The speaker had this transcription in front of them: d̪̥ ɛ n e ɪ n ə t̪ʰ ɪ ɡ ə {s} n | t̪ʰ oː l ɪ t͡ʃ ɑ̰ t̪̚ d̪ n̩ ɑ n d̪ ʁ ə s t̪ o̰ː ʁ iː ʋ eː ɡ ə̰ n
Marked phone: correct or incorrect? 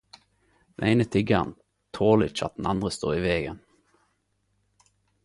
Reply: incorrect